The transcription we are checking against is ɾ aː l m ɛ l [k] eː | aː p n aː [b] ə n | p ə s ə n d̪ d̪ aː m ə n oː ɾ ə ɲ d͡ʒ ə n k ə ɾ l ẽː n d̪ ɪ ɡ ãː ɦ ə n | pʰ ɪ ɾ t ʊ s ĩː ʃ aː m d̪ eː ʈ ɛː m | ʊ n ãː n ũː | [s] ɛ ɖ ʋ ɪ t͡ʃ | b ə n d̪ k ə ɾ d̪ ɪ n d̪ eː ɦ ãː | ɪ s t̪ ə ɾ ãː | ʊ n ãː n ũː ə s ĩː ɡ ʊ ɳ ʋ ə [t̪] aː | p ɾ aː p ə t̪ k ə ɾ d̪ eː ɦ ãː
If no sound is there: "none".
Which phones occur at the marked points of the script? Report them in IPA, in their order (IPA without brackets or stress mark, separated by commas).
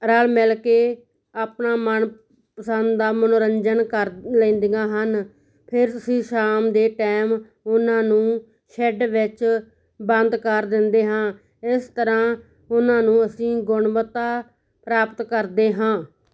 k, m, ʃ, t̪